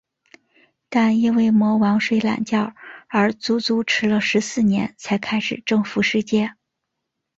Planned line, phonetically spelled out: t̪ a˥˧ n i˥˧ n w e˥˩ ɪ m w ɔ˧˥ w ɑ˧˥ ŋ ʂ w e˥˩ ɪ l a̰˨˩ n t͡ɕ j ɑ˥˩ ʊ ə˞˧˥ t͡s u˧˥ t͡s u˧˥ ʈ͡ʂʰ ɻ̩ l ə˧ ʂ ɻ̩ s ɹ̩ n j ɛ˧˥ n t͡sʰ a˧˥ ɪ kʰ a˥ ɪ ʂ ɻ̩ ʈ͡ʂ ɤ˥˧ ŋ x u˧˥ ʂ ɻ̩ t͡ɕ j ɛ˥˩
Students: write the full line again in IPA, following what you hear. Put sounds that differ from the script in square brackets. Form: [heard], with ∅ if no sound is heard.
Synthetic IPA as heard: t̪ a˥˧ n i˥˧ n w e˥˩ ɪ m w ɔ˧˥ w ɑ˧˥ ŋ ʂ w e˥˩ ɪ l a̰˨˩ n t͡ɕ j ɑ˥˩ ʊ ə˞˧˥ t͡s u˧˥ t͡s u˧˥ ʈ͡ʂʰ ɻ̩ l ə˧ ʂ ɻ̩ s ɹ̩ n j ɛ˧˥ n t͡sʰ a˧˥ ɪ kʰ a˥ ɪ ʂ ɻ̩ ʈ͡ʂ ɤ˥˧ ŋ [f] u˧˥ ʂ ɻ̩ t͡ɕ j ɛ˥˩